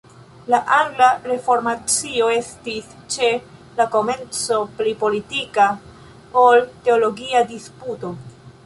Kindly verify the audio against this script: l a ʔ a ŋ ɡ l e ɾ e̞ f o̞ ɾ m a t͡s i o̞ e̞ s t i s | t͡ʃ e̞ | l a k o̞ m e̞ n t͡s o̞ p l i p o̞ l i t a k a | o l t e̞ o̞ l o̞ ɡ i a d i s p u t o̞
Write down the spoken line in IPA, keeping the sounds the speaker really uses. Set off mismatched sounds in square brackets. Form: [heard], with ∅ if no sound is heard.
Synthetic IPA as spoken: l a ʔ a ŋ ɡ l [a] ɾ e̞ f o̞ ɾ m a t͡s i o̞ e̞ s t i s | t͡ʃ e̞ | l a k o̞ m e̞ n t͡s o̞ p l i p o̞ l i t [i] k a | o l t e̞ o̞ l o̞ ɡ i a d i s p u t o̞